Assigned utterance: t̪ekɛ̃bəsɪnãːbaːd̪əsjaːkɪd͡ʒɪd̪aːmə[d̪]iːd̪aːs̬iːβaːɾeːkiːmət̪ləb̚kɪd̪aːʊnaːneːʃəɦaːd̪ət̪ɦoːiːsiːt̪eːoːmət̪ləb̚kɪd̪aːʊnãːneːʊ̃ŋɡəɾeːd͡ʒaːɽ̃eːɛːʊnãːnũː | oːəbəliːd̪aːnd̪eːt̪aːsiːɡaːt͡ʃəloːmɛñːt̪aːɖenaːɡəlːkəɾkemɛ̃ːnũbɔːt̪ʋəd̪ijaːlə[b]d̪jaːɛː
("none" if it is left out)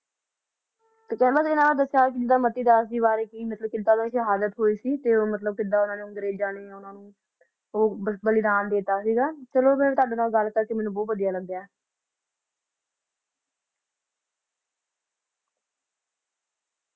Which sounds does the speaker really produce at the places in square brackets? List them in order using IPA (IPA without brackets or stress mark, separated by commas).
t̪, ɡ